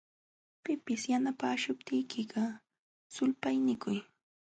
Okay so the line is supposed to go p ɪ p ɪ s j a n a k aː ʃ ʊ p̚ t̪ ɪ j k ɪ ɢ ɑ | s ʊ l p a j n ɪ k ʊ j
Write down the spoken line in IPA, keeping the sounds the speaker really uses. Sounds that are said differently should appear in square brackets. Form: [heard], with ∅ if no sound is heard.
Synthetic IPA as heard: p ɪ p ɪ s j a n a [p] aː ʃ ʊ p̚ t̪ ɪ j k ɪ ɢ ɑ | s ʊ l p a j n ɪ k ʊ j